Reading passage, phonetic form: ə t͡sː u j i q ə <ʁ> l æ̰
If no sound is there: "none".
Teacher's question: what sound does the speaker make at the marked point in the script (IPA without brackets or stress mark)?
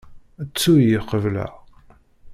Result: v